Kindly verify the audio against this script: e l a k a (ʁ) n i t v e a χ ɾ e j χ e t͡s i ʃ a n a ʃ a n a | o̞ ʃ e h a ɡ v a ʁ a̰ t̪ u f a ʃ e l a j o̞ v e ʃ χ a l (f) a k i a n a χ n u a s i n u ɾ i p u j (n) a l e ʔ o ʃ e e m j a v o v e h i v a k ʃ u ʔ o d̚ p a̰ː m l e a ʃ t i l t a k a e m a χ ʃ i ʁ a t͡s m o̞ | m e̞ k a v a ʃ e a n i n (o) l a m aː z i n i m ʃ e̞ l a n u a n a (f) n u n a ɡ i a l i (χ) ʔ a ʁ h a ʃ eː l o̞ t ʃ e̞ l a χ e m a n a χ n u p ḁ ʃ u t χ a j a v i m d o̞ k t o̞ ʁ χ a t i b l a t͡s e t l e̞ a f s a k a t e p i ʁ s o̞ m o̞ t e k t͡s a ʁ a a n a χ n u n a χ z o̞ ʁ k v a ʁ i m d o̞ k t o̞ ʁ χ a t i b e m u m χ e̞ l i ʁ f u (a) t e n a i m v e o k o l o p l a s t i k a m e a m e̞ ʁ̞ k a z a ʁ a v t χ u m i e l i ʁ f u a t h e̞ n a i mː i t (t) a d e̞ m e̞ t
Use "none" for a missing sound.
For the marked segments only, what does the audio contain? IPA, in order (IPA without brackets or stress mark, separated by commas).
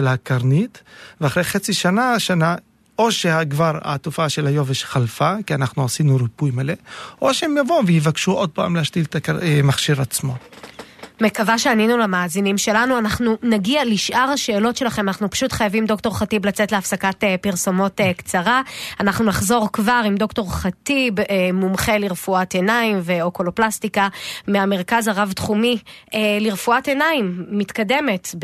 ʁ, f, m, u, χ, ʃ, a, k